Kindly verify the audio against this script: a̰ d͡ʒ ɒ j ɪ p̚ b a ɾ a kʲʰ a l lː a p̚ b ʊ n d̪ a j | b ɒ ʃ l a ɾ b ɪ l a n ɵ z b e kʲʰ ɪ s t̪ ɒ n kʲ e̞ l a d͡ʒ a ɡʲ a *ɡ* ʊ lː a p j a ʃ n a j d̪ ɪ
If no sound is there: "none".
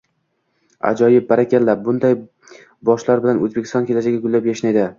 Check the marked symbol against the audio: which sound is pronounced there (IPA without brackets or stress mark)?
ɡ